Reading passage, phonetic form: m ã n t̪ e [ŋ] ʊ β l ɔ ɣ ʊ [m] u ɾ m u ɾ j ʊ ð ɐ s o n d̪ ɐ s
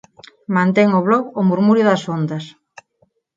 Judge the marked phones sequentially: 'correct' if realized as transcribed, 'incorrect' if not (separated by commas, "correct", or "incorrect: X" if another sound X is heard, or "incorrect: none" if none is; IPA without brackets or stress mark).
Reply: correct, correct